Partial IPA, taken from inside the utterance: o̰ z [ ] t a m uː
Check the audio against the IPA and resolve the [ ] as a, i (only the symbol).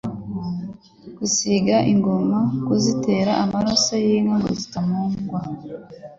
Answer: i